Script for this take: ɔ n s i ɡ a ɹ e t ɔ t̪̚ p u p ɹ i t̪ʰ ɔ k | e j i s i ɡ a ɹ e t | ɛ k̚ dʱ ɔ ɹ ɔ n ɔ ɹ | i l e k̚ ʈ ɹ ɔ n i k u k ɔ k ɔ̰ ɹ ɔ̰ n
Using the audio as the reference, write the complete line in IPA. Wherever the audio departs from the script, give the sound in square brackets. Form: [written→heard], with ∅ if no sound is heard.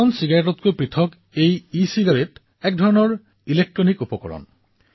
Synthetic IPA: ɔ n s i ɡ a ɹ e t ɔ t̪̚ [p→k] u p ɹ i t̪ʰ ɔ k | e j i s i ɡ a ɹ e t | ɛ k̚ dʱ ɔ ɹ ɔ n ɔ ɹ | i l e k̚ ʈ ɹ ɔ n i k u [k→p] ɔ k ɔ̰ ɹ ɔ̰ n